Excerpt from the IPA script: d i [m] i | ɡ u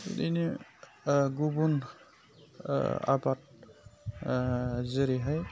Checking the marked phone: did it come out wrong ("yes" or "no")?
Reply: yes